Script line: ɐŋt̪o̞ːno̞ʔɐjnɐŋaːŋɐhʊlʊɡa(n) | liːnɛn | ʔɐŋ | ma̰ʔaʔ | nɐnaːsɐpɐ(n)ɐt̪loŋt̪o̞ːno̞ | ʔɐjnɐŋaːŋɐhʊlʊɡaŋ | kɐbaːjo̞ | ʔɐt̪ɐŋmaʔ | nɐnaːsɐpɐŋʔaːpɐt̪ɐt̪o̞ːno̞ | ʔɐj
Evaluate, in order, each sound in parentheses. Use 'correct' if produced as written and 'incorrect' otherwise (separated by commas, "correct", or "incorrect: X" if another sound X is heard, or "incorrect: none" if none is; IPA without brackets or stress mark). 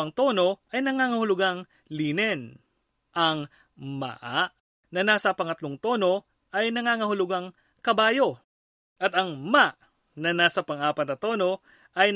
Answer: incorrect: ŋ, incorrect: ŋ